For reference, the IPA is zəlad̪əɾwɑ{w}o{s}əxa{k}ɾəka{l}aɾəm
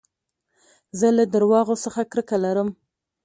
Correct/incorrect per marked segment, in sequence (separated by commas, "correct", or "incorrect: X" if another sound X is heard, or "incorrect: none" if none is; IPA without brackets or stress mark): incorrect: ɣ, correct, correct, correct